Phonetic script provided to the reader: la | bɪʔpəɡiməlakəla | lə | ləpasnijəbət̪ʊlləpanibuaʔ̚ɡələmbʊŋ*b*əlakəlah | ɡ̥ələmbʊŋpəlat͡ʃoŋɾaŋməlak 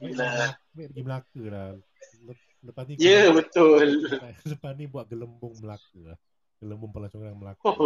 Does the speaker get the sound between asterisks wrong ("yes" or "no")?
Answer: yes